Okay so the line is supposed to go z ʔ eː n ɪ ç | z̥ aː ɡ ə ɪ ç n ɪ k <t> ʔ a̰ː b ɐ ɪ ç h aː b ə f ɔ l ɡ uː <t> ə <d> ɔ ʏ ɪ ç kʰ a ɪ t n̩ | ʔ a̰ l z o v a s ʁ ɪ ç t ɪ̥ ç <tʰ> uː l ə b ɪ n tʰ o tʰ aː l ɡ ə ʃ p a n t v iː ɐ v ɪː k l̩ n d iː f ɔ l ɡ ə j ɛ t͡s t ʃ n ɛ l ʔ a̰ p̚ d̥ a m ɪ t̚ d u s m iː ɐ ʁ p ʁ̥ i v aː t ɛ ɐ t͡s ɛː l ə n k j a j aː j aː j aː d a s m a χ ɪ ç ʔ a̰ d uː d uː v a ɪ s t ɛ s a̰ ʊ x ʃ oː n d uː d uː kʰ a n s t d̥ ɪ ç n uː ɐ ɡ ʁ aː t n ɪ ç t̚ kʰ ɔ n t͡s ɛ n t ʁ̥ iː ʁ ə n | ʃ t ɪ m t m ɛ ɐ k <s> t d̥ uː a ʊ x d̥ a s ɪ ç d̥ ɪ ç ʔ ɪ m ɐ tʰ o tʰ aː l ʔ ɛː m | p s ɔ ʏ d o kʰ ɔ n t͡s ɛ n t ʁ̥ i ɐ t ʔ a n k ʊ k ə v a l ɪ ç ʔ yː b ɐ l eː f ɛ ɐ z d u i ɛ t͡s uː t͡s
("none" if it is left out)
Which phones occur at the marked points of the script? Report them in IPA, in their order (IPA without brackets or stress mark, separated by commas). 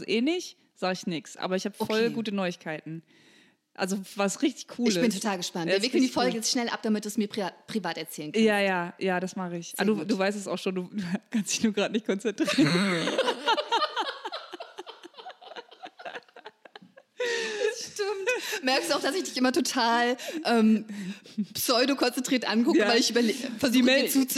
s, t, n, kʰ, s